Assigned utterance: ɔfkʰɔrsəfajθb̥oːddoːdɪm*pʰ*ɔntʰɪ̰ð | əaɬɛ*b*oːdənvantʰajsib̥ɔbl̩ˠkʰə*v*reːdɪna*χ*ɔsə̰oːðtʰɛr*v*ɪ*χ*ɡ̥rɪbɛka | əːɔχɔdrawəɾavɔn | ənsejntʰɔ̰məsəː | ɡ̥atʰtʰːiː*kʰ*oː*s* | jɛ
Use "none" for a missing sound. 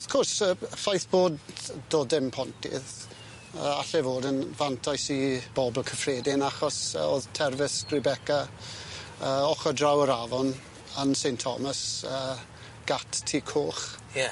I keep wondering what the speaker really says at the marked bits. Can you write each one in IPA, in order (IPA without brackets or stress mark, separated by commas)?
pʰ, v, f, χ, v, s, kʰ, χ